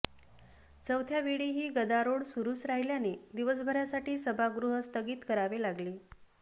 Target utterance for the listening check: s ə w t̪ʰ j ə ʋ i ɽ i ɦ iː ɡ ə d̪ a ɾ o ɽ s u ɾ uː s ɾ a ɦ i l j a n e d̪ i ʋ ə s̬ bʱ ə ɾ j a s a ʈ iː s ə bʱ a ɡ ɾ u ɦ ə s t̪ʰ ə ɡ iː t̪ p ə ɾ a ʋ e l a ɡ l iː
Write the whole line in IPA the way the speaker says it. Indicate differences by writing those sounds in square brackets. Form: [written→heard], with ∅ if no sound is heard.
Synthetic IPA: [s→t͡s] ə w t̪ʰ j [ə→a] ʋ i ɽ i ɦ iː ɡ ə d̪ a ɾ o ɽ s u ɾ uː s ɾ a ɦ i l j a n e d̪ i ʋ ə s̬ bʱ ə ɾ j a s a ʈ iː s ə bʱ a ɡ ɾ u ɦ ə s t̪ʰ ə ɡ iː t̪ [p→k] ə ɾ a ʋ e l a ɡ l iː